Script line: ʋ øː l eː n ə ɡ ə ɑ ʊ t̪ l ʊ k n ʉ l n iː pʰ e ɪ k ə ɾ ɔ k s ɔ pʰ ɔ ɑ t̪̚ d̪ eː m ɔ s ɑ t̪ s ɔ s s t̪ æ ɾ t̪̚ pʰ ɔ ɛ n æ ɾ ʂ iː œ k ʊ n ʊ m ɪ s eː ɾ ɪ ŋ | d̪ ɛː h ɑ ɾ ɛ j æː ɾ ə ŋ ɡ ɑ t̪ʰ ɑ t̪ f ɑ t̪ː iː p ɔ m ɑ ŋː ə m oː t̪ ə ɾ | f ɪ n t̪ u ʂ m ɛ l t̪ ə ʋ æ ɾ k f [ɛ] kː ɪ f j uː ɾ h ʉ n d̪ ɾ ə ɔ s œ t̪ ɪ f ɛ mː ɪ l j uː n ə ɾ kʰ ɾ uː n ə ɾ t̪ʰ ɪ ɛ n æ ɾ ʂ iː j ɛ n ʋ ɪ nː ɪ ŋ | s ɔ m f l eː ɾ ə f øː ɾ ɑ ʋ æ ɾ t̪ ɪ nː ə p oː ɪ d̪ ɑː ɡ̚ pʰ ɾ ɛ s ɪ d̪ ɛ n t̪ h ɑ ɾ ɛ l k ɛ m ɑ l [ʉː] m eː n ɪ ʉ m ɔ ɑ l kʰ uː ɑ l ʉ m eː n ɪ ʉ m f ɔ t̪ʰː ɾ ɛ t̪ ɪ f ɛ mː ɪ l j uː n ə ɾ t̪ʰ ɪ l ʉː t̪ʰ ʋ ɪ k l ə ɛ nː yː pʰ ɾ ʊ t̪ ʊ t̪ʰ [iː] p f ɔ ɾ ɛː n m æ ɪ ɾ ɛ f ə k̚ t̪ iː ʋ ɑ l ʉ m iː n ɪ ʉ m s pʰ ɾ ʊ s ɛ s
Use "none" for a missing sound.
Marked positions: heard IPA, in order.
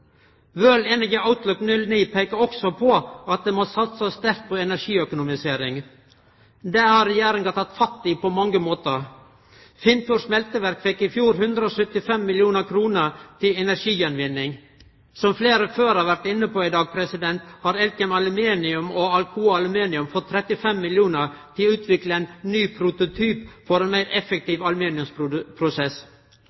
ɛ, ʉ, yː

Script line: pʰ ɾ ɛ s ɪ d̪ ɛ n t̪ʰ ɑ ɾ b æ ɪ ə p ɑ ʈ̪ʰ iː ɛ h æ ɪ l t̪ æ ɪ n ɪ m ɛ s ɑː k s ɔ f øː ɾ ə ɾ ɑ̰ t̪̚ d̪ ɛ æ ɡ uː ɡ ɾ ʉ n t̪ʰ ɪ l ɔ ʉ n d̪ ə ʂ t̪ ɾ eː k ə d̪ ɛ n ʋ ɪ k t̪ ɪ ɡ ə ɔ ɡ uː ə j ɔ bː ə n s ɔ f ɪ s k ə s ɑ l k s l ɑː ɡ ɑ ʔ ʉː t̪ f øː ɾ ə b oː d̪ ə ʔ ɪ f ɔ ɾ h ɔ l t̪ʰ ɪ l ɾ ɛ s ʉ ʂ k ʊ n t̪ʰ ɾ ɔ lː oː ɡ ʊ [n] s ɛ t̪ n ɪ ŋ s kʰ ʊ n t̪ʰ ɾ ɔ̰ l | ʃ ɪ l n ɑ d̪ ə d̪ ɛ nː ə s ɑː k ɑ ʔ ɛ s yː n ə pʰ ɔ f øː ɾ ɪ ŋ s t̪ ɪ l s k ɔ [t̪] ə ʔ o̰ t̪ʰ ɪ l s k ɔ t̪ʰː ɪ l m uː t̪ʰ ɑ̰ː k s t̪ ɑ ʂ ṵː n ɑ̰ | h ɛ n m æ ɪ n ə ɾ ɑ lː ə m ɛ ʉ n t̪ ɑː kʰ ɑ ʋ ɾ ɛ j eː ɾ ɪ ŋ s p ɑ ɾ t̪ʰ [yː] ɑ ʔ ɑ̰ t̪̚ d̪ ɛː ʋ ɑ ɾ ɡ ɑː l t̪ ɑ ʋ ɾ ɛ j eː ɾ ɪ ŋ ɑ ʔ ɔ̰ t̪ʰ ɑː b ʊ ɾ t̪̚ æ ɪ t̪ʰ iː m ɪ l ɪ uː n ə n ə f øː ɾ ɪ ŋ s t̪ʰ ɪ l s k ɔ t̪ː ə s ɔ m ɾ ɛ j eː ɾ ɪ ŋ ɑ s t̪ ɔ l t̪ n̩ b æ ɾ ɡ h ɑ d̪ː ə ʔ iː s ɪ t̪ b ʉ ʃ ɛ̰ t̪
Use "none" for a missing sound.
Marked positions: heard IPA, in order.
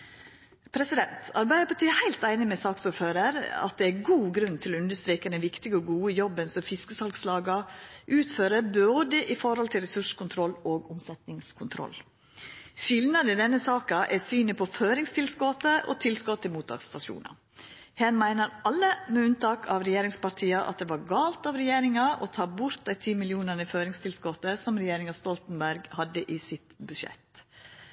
m, t̪, iː

